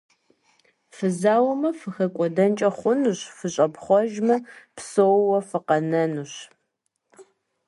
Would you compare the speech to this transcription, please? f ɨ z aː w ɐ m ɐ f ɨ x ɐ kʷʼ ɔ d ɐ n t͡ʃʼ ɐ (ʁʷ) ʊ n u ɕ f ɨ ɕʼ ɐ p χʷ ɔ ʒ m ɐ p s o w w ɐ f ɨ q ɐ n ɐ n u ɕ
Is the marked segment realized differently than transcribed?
yes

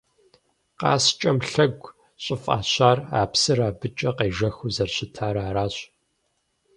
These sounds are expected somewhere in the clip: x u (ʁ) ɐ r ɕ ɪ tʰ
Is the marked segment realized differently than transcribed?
yes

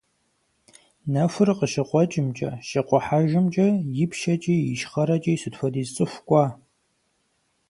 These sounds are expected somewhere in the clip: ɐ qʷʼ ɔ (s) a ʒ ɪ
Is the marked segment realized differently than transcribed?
yes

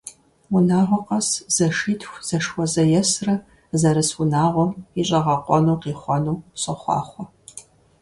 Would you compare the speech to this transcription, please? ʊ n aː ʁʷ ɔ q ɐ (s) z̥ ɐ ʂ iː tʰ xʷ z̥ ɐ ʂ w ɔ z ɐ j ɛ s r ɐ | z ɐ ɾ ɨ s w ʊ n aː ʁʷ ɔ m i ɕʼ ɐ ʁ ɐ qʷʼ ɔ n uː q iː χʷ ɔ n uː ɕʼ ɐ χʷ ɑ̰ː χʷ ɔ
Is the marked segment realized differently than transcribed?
no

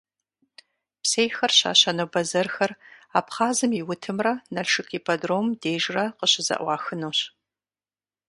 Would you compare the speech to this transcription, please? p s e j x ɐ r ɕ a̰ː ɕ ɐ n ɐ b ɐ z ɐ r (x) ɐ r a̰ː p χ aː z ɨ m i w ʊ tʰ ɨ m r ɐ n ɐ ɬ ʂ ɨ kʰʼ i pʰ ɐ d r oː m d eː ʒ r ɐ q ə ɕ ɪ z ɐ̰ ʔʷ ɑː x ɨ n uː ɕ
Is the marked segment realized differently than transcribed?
no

